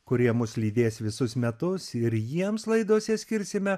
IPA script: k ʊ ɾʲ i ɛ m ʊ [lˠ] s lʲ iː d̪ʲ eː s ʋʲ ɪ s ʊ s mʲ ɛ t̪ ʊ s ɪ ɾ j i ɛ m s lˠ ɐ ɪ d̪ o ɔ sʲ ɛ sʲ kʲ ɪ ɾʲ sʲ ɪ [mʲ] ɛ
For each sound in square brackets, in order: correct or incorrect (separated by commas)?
incorrect, correct